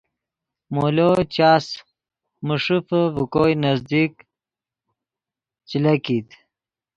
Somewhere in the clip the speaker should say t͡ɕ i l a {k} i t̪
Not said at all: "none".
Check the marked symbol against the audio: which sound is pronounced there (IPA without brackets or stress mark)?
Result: k